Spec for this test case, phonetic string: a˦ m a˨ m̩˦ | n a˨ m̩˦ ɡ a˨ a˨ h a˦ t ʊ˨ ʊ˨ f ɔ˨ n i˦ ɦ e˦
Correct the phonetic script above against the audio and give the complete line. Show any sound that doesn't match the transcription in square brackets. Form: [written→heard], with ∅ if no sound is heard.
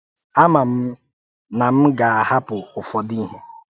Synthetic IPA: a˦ m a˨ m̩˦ | n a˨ m̩˦ ɡ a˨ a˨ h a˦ [t→p] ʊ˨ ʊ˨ f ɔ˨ [n→d] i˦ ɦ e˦

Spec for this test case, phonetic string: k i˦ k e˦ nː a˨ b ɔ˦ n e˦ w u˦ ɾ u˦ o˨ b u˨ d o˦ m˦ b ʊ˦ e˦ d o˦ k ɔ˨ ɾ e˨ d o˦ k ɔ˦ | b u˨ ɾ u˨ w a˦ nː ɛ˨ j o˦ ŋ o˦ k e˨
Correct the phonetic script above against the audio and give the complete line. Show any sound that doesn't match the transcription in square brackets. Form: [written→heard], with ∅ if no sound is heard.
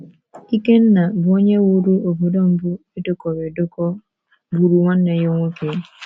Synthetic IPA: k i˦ k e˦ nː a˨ b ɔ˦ [n→ɲ] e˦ w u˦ ɾ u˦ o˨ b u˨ d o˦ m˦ b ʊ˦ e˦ d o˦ k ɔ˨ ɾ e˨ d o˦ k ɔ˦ | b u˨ ɾ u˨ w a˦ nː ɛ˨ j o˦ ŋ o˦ k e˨

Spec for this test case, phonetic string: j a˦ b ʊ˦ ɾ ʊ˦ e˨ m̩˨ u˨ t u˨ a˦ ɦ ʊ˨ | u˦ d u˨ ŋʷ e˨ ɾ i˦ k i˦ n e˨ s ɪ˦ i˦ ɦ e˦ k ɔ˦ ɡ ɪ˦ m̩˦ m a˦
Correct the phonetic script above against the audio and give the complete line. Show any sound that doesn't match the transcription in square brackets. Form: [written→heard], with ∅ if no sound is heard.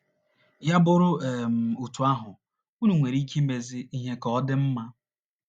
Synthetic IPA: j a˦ b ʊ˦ ɾ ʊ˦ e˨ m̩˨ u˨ t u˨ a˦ ɦ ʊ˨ | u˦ [d→n] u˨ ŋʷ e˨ ɾ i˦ k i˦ [n→m] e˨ [s→z] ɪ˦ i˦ ɦ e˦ k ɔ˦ [ɡ→d] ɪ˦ m̩˦ m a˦

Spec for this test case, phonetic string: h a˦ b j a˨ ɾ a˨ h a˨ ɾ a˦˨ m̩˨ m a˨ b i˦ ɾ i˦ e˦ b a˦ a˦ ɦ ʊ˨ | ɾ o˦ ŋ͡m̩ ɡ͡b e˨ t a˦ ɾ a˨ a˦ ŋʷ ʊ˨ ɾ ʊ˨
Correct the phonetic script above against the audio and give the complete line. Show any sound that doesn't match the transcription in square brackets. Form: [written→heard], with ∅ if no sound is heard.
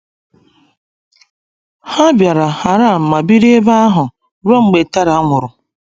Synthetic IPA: h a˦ b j a˨ ɾ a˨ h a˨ ɾ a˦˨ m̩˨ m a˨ b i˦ ɾ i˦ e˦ b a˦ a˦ ɦ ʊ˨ | ɾ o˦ ŋ͡m̩ ɡ͡b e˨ t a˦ ɾ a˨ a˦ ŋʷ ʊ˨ ɾ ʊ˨

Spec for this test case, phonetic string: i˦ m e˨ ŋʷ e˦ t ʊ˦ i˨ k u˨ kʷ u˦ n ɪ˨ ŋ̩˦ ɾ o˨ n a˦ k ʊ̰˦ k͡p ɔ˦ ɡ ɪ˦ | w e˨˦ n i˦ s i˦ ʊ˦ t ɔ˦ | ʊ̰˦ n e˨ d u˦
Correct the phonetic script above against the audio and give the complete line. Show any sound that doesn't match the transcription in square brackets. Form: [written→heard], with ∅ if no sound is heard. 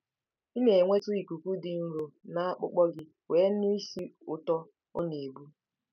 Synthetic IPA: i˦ m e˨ ŋʷ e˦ t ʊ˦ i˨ k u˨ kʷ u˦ [n→d] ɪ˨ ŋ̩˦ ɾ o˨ n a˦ [k→k͡p] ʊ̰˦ k͡p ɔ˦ ɡ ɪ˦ | w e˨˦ n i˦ s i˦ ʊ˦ t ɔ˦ | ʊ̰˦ n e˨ [d→b] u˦

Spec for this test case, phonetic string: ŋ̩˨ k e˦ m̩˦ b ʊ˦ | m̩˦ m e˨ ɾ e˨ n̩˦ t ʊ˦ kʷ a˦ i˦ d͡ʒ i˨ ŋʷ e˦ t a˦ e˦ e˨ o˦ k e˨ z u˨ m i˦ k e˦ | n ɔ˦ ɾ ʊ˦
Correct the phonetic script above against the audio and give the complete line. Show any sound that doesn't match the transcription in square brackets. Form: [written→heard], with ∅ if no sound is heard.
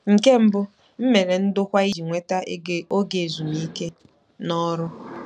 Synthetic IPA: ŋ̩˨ k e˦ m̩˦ b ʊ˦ | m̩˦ m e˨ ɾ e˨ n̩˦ [t→d] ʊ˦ kʷ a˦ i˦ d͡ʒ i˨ ŋʷ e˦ t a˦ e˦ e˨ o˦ [k→ɡ] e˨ z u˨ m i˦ k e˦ | n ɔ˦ ɾ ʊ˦

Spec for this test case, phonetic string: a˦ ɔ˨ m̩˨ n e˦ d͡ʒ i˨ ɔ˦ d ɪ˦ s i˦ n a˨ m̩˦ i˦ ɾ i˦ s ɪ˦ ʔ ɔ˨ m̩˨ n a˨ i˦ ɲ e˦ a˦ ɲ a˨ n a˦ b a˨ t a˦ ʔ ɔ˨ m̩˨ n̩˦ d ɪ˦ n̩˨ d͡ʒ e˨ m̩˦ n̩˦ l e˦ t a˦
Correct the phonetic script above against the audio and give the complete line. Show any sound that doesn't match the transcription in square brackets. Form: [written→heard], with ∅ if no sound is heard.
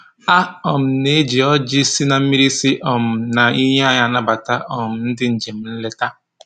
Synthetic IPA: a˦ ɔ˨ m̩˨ n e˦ d͡ʒ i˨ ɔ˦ [d→d͡ʒ] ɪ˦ s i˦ n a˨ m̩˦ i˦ ɾ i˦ s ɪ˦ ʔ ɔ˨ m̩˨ n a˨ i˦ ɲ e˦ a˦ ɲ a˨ n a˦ b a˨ t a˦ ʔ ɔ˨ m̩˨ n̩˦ d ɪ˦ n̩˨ d͡ʒ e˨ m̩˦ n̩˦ l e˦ t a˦

